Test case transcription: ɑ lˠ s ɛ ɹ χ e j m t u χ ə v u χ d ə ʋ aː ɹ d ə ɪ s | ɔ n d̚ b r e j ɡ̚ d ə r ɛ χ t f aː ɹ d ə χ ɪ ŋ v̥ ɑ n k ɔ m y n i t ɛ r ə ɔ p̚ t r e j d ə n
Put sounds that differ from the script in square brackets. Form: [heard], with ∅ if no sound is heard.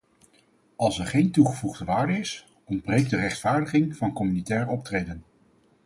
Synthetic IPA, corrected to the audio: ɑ lˠ s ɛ ɹ χ e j [n] t u χ ə v u χ d ə ʋ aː ɹ d ə ɪ s | ɔ n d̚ b r e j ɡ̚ d ə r ɛ χ t f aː ɹ d ə χ ɪ ŋ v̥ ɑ n k ɔ m y n i t [ɛː] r ə ɔ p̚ t r e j d ə n